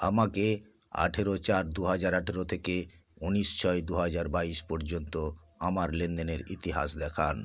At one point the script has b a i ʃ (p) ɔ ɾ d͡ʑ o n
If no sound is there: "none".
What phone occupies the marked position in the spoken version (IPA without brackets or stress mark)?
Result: p